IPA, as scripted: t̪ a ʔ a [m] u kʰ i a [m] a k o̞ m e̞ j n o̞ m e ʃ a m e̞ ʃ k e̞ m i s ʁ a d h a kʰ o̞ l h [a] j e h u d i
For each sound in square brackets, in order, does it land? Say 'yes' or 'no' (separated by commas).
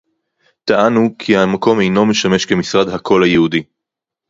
no, yes, yes